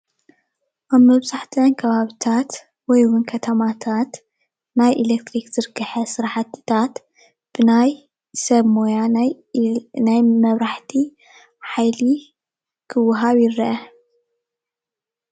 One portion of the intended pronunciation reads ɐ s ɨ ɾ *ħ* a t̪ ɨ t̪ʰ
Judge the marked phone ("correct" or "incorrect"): correct